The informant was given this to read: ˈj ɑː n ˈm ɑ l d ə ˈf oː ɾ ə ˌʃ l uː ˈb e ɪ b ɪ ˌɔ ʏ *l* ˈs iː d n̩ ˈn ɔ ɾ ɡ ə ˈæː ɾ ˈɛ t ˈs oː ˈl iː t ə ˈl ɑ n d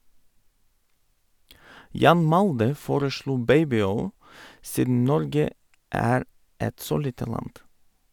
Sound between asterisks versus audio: correct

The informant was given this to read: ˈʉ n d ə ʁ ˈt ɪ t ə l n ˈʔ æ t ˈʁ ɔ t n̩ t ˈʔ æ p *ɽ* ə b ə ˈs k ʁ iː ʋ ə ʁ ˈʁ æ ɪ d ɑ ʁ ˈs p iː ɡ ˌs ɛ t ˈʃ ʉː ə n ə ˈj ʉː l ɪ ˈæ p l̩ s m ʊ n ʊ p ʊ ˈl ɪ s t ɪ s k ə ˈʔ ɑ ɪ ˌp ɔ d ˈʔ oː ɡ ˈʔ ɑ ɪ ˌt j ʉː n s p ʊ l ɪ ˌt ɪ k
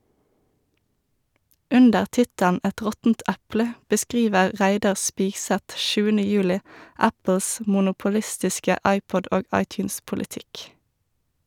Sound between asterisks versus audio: incorrect: l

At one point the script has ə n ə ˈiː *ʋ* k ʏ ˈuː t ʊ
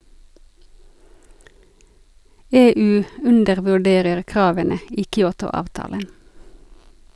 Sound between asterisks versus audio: incorrect: none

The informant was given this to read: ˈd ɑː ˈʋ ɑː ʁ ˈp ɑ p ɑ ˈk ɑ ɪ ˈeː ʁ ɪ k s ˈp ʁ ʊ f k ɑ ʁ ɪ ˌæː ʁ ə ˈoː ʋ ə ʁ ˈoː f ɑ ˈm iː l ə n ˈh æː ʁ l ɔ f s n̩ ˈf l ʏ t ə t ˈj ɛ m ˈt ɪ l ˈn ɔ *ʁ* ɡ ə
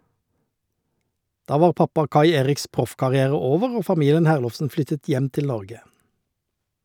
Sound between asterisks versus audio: correct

